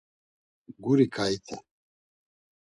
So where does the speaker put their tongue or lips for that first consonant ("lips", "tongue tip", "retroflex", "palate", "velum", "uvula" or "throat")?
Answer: velum